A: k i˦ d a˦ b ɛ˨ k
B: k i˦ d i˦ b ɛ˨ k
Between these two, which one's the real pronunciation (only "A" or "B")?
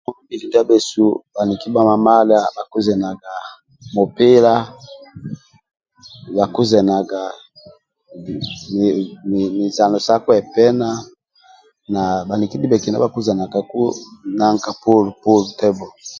B